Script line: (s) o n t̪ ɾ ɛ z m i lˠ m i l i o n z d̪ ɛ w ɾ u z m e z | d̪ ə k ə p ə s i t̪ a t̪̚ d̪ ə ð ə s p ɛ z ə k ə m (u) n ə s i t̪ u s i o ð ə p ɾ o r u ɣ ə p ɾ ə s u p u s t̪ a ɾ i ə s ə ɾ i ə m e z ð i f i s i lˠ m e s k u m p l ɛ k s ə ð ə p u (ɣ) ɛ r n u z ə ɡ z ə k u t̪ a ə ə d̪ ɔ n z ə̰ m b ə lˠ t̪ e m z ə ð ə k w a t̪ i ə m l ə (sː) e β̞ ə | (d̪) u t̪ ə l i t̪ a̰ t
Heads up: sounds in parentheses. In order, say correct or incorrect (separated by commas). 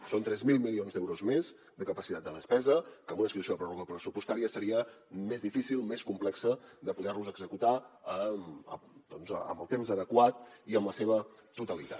correct, correct, incorrect, incorrect, incorrect